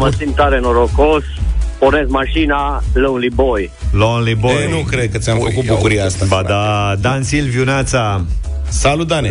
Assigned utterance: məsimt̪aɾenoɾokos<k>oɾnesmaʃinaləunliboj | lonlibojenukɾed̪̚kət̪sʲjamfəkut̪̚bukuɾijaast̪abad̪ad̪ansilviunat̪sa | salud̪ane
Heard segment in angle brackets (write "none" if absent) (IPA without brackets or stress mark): p